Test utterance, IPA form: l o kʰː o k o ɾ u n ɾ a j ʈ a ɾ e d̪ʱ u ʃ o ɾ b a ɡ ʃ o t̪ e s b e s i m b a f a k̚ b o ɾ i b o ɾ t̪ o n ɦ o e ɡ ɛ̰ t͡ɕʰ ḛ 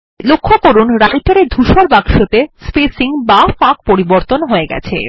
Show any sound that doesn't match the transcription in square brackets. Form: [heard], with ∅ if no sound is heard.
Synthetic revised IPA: l o kʰː o k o ɾ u n ɾ a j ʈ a ɾ e d̪ʱ u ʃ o ɾ b a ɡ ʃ o t̪ e s [p] e s i [ŋ] b a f a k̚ [p] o ɾ i b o ɾ t̪ o n ɦ o e ɡ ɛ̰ t͡ɕʰ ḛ

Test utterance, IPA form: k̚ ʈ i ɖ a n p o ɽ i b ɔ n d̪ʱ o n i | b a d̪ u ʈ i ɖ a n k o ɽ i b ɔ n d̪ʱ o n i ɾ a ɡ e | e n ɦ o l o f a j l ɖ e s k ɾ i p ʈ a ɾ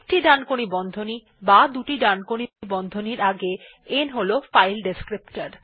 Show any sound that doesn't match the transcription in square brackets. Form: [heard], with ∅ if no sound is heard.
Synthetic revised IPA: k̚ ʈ i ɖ a n [k] o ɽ i b ɔ n d̪ʱ o n i | b a d̪ u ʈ i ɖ a n k o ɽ i b ɔ n d̪ʱ o n i ɾ a ɡ e | e n ɦ o l o f a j l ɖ e s k ɾ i p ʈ a ɾ

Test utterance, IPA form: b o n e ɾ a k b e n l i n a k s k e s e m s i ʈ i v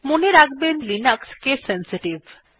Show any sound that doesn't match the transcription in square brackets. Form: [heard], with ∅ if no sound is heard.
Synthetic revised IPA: [m] o n e ɾ a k b e n l i n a k s k e s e [n] s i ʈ i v

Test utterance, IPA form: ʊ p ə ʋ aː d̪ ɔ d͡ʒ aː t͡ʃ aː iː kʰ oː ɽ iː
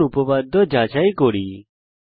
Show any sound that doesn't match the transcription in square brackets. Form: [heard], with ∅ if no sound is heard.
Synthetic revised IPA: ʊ p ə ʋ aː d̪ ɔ d͡ʒ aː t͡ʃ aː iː [k] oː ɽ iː

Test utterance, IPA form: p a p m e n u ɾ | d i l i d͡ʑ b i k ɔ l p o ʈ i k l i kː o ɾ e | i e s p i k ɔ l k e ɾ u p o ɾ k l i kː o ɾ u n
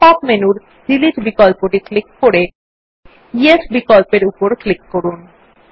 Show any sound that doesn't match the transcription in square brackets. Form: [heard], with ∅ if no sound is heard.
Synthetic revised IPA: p a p m e n u ɾ | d i l i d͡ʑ b i k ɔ l p o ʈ i k l i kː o ɾ e | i e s [b] i k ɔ l [p] e ɾ u p o ɾ k l i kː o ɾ u n

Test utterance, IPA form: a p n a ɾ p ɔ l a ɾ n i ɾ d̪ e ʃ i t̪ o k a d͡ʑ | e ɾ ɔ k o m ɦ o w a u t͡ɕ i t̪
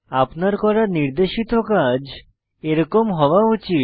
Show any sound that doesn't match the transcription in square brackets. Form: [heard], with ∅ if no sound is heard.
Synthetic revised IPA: a p n a ɾ [k] ɔ [ɾ] a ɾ n i ɾ d̪ e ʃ i t̪ o k a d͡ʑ | e ɾ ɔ k o m ɦ [ɔ] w a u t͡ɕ i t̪

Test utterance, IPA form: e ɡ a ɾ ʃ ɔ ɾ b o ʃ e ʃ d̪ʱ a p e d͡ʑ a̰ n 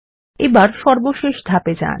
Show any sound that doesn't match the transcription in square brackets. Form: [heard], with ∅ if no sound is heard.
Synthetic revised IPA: e [b] a ɾ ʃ ɔ ɾ b o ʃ e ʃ d̪ʱ a p e d͡ʑ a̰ n

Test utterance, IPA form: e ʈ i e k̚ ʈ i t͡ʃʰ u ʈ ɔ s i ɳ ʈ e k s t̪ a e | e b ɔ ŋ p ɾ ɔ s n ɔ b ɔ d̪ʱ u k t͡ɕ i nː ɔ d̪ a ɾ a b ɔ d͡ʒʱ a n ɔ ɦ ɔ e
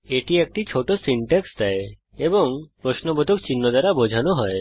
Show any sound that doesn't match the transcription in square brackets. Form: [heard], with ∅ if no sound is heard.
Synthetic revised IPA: e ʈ i e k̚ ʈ i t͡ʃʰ [o] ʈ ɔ s i ɳ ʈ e k s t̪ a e | e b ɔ ŋ p ɾ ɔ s n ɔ b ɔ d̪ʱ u k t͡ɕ i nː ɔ d̪ a ɾ a b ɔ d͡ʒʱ a n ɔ ɦ ɔ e

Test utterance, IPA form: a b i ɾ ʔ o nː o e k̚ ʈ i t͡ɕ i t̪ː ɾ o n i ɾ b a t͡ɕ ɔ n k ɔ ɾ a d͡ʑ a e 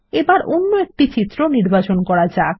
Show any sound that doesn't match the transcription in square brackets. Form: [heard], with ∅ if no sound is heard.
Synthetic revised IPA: [e] b [a] ɾ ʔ o nː o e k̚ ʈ i t͡ɕ i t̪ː ɾ o n i ɾ b a t͡ɕ [o] n k ɔ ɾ a d͡ʑ a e

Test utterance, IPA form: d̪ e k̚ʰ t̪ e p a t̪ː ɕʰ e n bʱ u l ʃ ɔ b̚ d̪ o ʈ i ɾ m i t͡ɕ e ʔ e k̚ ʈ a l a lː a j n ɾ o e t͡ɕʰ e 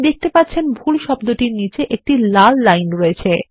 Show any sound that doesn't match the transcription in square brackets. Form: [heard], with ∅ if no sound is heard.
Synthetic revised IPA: d̪ e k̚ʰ t̪ e p a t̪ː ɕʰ e n bʱ u l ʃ ɔ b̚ d̪ o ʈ i ɾ [n] i t͡ɕ e ʔ e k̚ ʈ [i] l a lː a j n ɾ o e t͡ɕʰ e

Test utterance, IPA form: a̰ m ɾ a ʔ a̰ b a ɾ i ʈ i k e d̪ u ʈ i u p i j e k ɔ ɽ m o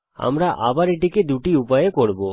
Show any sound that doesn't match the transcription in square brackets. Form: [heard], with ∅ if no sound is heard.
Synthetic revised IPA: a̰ m ɾ a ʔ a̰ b a ɾ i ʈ i k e d̪ u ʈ i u p [a] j e k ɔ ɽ [b] o

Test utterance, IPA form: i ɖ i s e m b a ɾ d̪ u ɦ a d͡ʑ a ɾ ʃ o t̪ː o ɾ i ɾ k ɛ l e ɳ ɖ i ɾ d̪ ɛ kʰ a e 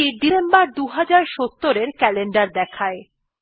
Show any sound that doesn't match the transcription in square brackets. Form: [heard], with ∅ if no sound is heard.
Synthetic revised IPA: i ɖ i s e m b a ɾ d̪ u ɦ a d͡ʑ a ɾ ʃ o t̪ː o ɾ [e] ɾ k ɛ l e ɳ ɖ [a] ɾ d̪ ɛ kʰ a e

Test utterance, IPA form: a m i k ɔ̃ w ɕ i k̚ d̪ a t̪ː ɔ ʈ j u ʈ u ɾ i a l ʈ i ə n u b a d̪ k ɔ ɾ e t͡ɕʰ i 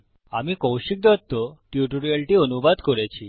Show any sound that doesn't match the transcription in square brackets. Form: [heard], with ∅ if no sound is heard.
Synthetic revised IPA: a m i k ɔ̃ w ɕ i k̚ d̪ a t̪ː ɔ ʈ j u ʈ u ɾ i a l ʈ i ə n u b a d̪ k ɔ ɾ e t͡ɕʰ i

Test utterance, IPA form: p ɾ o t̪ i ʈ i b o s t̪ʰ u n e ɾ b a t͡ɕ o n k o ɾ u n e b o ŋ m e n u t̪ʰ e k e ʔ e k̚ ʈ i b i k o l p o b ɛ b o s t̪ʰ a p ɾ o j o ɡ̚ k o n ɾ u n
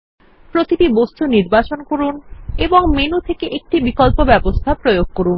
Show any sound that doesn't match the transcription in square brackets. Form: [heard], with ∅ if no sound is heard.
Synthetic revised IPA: p ɾ o t̪ i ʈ i b o s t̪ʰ u n [i] ɾ b a t͡ɕ o n k o ɾ u n e b o ŋ m e n u t̪ʰ e k e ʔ e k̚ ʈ i b i k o l p o b ɛ b o s t̪ʰ a p ɾ o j o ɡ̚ k o [∅] ɾ u n

